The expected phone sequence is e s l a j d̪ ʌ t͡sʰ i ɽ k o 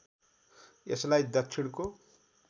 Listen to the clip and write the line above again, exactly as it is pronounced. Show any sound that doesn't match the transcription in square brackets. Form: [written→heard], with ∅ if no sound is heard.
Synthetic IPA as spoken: e s l a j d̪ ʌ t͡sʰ i ɽ k o